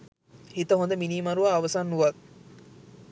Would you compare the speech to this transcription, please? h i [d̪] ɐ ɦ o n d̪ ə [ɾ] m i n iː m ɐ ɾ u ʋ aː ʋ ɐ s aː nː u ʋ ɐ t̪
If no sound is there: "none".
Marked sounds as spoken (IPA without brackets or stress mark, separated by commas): t̪, none